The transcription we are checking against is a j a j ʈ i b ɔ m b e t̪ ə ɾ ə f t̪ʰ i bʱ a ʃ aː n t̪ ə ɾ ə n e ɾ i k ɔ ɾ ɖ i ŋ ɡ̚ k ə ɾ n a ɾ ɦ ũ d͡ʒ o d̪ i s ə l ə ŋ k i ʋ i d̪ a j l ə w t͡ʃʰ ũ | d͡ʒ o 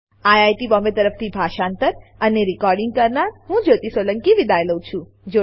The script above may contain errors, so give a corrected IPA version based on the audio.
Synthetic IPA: a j a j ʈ i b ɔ m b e t̪ ə ɾ ə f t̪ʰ i bʱ a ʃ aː n t̪ ə ɾ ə n e ɾ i k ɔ ɾ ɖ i ŋ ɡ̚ k ə ɾ n a ɾ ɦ ũ d͡ʒ o t̪ i s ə l ə ŋ k i ʋ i d̪ a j l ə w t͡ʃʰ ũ | d͡ʒ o